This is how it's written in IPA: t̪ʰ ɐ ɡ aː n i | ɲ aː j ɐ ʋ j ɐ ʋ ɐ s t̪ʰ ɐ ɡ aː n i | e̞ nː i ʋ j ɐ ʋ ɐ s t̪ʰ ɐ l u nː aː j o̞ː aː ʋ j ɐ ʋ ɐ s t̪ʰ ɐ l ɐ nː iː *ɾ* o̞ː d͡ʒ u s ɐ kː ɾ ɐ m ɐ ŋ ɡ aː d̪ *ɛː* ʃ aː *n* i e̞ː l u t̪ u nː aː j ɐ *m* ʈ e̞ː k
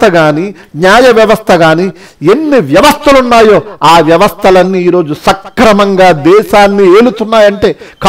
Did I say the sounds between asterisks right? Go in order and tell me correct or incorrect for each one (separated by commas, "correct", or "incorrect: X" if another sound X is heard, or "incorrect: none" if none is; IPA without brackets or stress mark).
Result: correct, correct, incorrect: nː, incorrect: ɳ